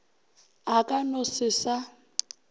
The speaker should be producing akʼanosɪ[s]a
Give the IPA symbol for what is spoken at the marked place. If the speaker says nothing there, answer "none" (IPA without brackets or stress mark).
s